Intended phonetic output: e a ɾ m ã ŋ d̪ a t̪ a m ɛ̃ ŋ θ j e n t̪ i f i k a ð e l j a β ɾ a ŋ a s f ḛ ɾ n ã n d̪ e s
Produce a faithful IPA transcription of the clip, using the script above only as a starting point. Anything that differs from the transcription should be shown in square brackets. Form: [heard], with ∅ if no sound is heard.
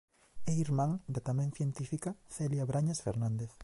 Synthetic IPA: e [i] ɾ m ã ŋ d̪ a t̪ a m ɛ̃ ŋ θ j e n t̪ i f i k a [θ] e l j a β ɾ a [ɲ] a s f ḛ ɾ n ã n d̪ e [θ]